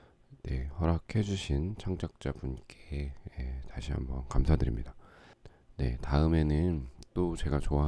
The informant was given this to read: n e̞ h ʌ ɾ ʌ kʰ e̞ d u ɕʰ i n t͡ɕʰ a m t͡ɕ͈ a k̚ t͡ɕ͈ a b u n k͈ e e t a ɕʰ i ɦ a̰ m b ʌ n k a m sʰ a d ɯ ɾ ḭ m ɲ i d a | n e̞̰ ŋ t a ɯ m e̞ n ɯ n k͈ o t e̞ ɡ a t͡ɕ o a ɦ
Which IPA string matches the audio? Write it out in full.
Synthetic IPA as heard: n e̞ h ʌ ɾ a kʰ e̞ d͡ʑ u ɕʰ i n t͡ɕʰ a ŋ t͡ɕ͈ a k̚ t͡ɕ͈ a b u n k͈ e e t a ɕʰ i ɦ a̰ m b ʌ n k a m sʰ a d ɯ ɾ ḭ m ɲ i d a | n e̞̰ t a ɯ m e̞ n ɯ n t͈ o t͡ɕ e̞ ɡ a t͡ɕ o a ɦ